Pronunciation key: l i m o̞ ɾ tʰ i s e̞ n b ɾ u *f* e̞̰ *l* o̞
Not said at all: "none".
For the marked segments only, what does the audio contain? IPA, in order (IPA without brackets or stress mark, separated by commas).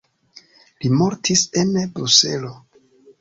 s, l